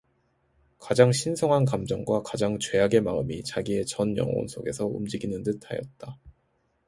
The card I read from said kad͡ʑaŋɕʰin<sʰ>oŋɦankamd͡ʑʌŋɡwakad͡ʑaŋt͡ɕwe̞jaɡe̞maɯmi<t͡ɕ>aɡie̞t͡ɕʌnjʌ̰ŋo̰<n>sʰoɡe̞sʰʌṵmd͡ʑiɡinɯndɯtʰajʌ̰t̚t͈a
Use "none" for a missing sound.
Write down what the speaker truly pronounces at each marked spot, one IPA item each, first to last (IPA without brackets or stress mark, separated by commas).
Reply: sʰ, t͡ɕ, n